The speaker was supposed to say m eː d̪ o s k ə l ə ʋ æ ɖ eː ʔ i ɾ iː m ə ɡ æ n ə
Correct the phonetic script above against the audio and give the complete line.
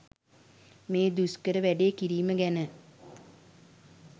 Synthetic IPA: m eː d̪ u s k ə ɾ ə ʋ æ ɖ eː k i ɾ iː m ə ɡ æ n ə